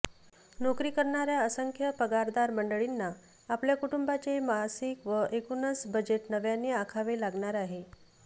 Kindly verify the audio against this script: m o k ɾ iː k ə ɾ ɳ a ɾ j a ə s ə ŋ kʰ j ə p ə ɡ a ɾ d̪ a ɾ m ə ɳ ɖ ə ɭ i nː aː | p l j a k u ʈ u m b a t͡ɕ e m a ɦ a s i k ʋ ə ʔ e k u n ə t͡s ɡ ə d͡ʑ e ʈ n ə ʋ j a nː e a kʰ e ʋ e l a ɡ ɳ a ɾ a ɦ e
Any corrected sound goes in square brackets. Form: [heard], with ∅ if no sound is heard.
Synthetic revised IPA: [n] o k ɾ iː k ə ɾ ɳ a ɾ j a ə s ə ŋ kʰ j ə p ə ɡ a ɾ d̪ a ɾ m ə ɳ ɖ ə ɭ i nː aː | p l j a k u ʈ u m b a t͡ɕ e m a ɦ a s i k ʋ ə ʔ e k u n ə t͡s [b] ə d͡ʑ e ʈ n ə ʋ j a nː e a kʰ [a] ʋ e l a ɡ ɳ a ɾ a ɦ e